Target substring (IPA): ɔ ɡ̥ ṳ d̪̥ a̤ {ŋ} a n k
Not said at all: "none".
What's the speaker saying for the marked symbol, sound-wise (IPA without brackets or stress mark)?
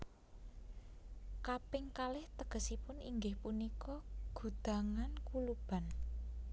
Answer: ŋ